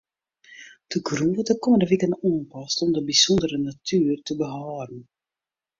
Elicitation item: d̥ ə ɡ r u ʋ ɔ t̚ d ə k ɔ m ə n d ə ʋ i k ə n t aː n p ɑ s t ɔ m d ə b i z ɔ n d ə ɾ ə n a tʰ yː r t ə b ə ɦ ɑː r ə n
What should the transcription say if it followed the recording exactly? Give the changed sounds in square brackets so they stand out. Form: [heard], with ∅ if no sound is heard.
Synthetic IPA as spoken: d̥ ə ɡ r u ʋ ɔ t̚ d ə k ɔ m ə n d ə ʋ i k ə n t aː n p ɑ s t ɔ m d ə b i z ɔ n d ə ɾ ə n a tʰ yː r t ə b ə ɦ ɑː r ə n